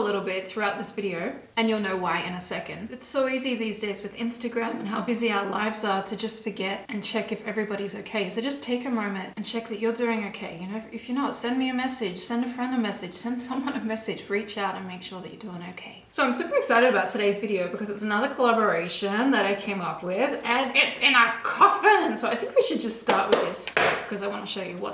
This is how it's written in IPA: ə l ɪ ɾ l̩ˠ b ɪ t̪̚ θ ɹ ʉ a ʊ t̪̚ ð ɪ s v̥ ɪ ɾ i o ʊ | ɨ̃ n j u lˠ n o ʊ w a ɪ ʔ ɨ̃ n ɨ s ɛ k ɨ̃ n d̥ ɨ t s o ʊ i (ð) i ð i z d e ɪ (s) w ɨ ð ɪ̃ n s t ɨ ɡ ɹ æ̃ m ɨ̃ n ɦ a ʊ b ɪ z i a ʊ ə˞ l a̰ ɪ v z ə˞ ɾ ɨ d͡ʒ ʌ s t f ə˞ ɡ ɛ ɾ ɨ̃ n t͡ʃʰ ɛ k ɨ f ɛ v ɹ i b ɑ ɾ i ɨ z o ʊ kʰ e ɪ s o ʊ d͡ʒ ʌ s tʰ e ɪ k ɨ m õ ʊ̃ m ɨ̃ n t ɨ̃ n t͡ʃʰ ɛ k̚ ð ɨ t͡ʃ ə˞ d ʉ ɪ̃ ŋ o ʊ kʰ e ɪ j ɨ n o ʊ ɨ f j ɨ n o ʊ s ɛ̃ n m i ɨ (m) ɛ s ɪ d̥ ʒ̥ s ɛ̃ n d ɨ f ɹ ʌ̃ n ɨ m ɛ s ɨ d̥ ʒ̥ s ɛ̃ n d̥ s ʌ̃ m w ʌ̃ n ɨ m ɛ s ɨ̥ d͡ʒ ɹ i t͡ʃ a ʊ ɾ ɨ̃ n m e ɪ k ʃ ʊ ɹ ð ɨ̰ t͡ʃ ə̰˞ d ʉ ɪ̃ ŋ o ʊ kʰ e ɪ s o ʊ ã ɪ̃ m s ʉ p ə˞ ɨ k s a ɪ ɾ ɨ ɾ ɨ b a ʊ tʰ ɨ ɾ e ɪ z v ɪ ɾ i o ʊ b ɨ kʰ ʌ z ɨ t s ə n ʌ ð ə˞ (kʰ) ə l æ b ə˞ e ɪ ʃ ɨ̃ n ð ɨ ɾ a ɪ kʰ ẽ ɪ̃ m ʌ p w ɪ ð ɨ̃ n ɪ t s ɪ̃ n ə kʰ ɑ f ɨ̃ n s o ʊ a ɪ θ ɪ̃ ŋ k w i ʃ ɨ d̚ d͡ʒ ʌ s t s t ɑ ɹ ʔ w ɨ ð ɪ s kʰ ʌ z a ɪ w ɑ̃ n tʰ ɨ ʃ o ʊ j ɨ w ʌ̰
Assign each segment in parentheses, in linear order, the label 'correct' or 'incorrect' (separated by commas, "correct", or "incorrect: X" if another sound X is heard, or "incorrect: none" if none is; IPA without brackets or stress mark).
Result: incorrect: z, incorrect: z, correct, correct